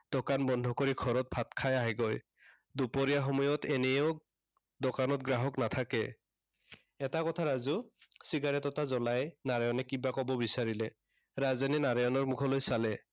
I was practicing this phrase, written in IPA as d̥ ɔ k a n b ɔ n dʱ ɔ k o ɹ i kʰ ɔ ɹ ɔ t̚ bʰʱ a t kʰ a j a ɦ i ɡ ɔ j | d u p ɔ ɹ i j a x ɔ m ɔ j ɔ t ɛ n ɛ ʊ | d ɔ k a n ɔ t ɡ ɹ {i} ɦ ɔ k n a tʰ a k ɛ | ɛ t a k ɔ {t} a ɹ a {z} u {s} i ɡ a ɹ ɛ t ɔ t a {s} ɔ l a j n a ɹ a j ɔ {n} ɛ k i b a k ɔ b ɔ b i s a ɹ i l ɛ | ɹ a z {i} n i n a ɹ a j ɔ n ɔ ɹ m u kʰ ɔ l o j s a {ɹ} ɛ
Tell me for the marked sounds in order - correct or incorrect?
incorrect, incorrect, correct, correct, incorrect, correct, incorrect, incorrect

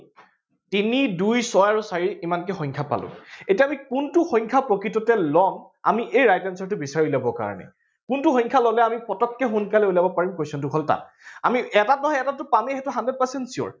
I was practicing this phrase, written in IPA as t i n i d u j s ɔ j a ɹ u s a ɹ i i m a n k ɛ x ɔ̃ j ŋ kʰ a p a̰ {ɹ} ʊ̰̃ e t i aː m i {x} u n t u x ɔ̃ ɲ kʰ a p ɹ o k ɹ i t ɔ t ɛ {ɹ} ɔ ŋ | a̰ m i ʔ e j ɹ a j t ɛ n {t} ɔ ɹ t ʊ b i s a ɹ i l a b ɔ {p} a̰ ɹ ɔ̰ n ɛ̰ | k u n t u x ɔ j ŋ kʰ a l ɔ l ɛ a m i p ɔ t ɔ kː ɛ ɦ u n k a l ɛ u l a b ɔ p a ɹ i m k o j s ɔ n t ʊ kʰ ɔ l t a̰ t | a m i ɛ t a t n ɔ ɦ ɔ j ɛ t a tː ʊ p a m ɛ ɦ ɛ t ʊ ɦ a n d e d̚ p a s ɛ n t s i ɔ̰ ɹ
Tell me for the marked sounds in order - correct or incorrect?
incorrect, incorrect, incorrect, incorrect, incorrect

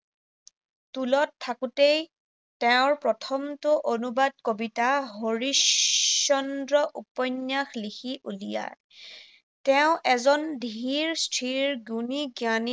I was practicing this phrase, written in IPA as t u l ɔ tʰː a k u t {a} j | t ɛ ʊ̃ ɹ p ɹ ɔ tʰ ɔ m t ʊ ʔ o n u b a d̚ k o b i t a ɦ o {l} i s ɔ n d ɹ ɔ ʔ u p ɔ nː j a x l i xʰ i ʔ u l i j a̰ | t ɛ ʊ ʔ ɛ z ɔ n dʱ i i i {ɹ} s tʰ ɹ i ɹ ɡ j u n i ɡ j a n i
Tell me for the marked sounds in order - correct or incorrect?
incorrect, incorrect, correct

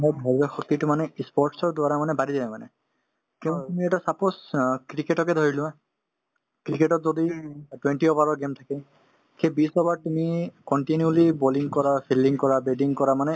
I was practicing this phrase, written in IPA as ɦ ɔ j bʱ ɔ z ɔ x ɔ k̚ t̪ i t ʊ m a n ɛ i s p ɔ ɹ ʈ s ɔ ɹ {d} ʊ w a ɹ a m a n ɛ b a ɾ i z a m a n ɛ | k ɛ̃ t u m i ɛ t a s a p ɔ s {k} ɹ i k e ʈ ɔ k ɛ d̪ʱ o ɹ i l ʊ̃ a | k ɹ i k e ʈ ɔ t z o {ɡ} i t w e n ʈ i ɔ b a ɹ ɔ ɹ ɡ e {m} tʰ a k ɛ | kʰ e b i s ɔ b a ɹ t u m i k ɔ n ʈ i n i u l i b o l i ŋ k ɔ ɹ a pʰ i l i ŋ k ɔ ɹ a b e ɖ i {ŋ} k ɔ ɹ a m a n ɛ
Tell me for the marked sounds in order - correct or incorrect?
correct, correct, incorrect, correct, correct

